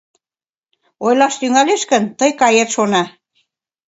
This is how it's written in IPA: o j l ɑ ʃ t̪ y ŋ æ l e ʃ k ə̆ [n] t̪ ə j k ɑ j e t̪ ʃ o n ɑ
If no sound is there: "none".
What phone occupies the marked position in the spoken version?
n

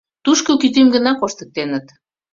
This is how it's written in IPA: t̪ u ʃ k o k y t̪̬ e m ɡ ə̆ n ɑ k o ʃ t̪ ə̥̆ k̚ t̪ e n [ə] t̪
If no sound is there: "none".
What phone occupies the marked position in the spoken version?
ə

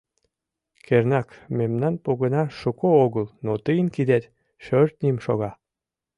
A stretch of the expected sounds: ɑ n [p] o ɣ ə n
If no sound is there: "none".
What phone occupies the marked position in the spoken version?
p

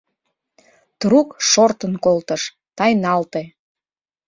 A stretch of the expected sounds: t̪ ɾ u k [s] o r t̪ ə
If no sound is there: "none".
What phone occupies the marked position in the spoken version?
ʃ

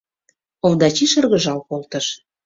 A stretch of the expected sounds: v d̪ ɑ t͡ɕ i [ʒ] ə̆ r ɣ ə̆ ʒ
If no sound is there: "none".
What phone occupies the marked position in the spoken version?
ʃ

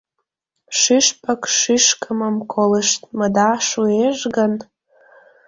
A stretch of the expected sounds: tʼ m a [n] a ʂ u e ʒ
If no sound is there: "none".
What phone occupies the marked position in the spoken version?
d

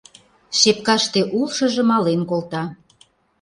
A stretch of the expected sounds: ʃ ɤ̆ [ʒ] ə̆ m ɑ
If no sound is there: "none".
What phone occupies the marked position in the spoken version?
ʒ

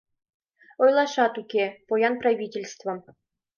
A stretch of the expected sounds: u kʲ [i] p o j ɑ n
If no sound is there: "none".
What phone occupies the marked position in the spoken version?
e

